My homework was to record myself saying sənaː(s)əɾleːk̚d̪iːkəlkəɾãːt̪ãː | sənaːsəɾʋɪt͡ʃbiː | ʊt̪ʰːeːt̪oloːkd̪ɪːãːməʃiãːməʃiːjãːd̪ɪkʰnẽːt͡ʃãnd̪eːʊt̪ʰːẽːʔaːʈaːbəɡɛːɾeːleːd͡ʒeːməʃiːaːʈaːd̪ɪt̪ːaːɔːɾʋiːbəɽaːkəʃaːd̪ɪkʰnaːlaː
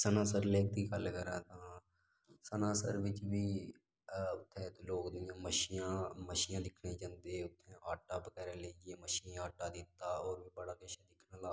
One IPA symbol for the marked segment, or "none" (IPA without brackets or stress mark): s